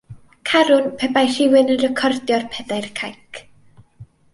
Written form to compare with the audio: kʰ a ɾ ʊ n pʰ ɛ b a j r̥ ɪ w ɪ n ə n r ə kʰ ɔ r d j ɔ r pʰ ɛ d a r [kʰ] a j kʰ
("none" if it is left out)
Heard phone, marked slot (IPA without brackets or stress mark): kʰ